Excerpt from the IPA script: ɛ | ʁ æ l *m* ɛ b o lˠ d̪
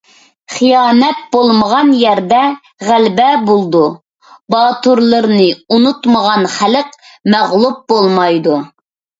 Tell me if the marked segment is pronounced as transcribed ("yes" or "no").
no